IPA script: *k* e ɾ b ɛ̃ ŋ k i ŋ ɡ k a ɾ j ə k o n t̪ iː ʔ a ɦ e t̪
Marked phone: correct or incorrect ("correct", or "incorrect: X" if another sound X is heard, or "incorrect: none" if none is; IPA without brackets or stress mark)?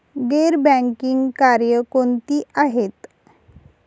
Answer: incorrect: ɡ